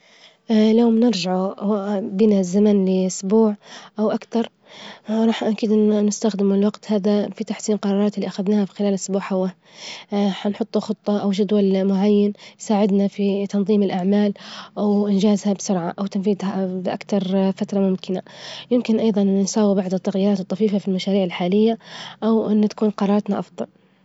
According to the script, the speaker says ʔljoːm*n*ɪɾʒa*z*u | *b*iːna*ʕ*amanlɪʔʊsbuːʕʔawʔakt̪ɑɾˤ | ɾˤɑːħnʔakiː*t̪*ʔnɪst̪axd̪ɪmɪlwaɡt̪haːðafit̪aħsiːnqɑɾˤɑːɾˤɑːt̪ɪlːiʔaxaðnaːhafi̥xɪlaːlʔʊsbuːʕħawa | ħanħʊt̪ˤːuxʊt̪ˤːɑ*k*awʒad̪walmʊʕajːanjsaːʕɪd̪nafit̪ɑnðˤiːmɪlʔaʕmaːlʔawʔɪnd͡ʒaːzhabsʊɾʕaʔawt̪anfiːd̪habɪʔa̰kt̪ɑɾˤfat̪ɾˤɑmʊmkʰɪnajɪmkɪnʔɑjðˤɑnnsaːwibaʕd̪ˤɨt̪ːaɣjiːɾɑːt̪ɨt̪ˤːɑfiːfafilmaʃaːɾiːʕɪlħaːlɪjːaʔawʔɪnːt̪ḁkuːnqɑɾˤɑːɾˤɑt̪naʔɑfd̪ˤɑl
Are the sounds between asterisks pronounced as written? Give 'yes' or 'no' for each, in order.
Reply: yes, no, yes, no, no, no

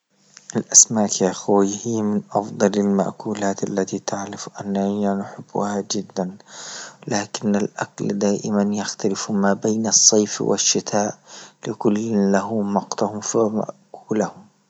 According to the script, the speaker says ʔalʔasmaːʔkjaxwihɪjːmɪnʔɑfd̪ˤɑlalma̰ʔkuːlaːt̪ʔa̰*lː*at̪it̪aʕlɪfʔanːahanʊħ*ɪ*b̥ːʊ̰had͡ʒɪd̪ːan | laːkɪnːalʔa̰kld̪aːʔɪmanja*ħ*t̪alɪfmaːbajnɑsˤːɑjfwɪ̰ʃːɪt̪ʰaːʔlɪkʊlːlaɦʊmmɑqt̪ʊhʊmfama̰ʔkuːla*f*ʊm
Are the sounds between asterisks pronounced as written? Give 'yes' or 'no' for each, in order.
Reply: yes, yes, no, no

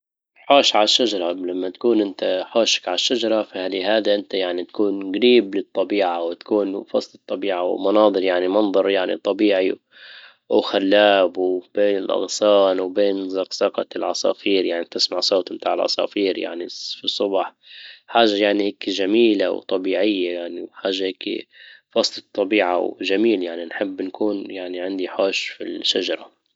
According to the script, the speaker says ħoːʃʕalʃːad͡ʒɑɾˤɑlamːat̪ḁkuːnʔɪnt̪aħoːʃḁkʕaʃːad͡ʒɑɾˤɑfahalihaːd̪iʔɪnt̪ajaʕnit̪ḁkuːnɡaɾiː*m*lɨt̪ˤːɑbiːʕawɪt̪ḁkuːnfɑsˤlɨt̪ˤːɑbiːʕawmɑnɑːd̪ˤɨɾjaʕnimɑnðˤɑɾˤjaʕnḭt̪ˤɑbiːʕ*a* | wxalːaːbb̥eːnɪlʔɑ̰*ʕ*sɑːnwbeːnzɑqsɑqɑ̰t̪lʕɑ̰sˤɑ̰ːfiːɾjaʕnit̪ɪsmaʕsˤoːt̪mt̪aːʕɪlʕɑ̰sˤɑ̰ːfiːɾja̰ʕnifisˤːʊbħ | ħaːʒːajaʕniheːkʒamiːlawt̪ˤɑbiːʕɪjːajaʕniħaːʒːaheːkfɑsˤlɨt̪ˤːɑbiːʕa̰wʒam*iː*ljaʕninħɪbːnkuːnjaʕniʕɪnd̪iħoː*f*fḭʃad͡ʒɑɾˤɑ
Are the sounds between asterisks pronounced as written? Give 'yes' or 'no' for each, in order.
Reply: no, no, no, yes, no

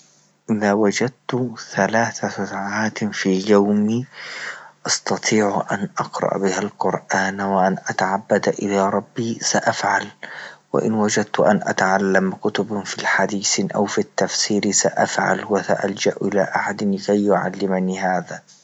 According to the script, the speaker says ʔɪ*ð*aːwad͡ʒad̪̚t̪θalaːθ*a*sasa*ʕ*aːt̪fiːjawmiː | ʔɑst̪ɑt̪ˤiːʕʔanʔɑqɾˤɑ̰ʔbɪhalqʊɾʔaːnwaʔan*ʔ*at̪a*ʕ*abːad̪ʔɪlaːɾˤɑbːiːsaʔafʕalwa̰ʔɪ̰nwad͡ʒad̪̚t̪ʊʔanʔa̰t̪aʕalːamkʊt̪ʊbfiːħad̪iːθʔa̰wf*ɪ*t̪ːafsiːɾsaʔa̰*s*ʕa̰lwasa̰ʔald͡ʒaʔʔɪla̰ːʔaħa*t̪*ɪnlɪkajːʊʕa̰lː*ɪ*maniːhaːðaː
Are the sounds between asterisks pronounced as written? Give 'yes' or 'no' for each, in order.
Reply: yes, yes, yes, yes, yes, no, no, no, yes

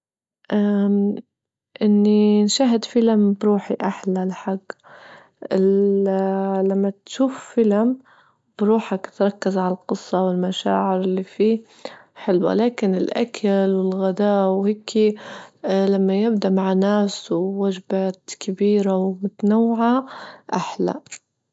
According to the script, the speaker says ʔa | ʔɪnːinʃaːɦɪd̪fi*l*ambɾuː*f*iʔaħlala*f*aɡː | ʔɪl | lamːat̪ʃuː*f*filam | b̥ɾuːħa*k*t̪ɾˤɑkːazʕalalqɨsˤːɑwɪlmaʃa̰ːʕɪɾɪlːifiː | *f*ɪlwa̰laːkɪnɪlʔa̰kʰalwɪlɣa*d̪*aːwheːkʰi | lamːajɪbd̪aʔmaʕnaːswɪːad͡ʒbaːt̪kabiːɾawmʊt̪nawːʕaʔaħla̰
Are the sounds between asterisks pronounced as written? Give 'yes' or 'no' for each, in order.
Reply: yes, no, no, yes, yes, no, yes

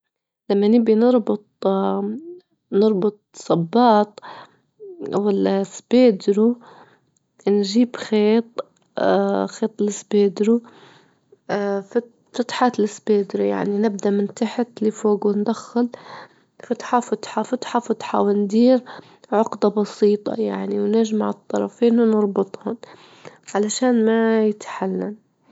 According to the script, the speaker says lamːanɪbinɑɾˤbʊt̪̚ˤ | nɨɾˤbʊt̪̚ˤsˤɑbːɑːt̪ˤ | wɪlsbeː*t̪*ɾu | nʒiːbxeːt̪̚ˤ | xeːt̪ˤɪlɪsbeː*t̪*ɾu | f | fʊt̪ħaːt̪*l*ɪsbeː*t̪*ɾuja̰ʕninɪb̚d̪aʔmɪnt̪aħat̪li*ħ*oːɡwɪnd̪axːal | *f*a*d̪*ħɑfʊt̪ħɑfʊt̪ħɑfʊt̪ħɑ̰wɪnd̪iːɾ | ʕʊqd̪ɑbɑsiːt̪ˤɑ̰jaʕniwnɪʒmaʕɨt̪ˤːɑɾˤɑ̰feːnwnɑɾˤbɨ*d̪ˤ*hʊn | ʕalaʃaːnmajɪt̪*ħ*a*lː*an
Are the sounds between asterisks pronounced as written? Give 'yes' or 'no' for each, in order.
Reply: no, no, yes, no, no, yes, no, no, yes, yes

